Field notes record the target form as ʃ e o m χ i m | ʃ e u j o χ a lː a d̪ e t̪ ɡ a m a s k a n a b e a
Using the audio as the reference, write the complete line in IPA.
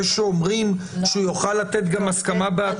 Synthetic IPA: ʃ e o m ʁ i m | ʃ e u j o χ a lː a t̪ e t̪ ɡ a m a s k a m a b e a